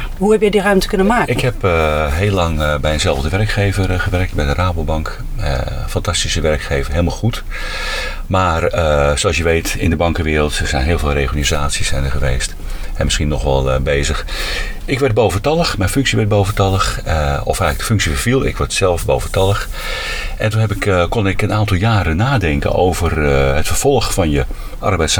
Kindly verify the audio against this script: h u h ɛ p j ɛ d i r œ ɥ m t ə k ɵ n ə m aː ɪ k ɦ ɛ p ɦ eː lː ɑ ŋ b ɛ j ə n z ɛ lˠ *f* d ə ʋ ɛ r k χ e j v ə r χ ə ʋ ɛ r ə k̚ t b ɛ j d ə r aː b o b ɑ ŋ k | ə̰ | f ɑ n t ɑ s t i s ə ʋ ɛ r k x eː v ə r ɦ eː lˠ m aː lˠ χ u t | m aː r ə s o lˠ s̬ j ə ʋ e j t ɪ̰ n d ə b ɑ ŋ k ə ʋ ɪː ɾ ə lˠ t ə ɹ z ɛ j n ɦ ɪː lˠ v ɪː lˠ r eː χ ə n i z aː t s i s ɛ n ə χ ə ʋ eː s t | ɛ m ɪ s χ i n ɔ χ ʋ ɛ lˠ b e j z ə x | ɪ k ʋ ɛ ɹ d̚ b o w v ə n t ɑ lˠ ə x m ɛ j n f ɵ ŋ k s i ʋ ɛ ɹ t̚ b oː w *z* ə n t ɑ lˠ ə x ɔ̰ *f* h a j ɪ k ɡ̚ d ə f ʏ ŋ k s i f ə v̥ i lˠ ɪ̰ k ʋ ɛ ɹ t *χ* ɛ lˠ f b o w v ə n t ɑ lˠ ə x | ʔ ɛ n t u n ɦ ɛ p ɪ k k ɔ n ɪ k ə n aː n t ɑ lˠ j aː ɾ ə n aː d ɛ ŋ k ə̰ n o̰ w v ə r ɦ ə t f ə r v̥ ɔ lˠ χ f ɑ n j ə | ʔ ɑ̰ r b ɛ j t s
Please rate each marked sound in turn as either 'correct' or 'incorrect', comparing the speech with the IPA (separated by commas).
incorrect, incorrect, correct, incorrect